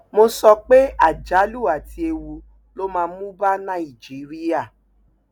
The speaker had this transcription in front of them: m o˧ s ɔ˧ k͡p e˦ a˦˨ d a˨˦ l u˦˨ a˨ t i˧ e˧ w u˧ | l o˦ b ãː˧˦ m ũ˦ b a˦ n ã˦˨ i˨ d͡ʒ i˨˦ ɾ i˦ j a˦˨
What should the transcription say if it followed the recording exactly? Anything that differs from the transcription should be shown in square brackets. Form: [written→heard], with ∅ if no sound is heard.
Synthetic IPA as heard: m o˧ s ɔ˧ k͡p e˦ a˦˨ [d→d͡ʒ] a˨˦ l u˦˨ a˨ t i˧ e˧ w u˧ | l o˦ [b→m] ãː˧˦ m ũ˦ b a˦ n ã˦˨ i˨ d͡ʒ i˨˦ ɾ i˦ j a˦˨